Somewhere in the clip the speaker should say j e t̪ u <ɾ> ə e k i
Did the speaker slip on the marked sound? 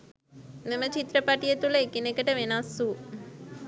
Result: yes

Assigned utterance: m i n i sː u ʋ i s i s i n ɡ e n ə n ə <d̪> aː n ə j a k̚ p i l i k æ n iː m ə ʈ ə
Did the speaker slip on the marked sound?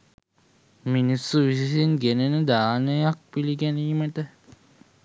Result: no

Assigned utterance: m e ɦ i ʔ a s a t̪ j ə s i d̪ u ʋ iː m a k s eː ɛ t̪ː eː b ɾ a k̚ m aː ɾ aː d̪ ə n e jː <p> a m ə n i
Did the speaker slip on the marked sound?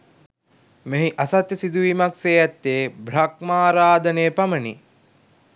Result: no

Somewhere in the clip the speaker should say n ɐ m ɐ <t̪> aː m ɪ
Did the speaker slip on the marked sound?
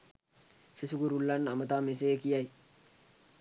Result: no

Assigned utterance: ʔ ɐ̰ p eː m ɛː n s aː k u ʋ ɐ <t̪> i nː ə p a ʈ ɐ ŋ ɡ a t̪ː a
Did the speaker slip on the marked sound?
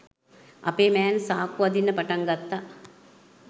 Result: yes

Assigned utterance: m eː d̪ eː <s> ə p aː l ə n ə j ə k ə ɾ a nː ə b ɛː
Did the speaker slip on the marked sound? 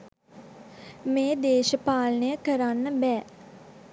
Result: yes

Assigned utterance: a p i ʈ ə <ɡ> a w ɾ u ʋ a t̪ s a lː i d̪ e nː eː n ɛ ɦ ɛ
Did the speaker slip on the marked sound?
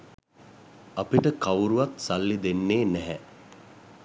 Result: yes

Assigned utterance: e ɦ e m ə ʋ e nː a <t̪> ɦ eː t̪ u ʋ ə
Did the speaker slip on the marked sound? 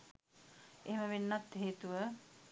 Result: no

